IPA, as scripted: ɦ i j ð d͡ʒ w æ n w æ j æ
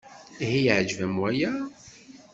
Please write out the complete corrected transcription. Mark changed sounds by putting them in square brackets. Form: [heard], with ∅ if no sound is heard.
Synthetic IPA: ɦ i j [ʕ] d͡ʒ [v] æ [m] w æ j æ